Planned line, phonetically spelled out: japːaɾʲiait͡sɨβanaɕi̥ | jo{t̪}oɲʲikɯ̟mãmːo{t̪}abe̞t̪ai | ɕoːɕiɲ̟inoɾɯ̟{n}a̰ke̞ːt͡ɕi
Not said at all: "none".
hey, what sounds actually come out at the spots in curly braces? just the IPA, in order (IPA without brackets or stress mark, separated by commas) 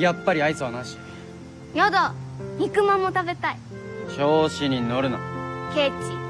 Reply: d̪, t̪, n